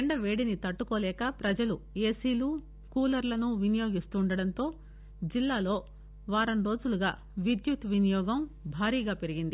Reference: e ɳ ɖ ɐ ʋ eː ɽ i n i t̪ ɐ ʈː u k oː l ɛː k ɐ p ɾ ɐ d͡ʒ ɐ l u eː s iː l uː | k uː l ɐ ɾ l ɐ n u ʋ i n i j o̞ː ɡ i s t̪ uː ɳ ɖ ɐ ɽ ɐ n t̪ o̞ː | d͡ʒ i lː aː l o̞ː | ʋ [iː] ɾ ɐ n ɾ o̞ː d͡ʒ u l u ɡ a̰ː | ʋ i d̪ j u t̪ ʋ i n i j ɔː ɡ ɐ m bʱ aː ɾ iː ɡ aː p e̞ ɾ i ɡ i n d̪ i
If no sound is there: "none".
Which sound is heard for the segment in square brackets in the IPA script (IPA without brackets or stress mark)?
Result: aː